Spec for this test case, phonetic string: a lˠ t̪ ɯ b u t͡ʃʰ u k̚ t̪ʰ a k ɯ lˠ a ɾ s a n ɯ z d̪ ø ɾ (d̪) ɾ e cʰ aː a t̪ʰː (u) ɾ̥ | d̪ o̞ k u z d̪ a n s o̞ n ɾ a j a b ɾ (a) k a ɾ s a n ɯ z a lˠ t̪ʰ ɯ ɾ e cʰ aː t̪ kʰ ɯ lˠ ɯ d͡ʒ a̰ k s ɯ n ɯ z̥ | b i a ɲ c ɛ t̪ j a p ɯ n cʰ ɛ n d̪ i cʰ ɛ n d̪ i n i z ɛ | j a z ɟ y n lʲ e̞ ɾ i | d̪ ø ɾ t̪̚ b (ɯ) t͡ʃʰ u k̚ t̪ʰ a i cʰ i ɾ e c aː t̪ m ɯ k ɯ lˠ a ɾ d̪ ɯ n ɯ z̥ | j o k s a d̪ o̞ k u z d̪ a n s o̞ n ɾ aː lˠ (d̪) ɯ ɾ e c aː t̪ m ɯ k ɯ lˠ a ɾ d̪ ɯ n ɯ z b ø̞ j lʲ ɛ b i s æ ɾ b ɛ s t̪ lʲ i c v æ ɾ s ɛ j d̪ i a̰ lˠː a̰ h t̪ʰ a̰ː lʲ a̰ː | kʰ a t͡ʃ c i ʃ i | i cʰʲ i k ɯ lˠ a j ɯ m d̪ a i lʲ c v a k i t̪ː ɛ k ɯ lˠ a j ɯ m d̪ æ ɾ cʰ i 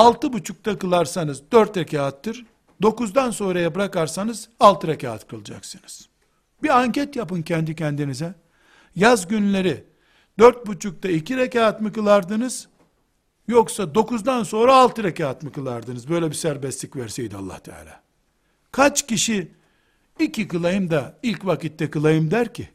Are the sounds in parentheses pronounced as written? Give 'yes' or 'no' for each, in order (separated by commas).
no, no, yes, no, no